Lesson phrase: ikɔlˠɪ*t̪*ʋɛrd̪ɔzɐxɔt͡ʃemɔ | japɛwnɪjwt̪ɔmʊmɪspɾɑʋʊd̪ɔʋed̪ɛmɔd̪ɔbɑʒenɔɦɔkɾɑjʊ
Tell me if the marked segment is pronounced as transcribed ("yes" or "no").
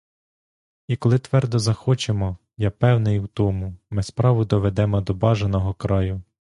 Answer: yes